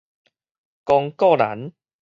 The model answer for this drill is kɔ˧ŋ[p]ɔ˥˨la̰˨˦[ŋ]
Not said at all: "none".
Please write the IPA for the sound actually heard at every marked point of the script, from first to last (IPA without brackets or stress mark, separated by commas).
k, n